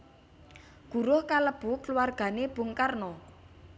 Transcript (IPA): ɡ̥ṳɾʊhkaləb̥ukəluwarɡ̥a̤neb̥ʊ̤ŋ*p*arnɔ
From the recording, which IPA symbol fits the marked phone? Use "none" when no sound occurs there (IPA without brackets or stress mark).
k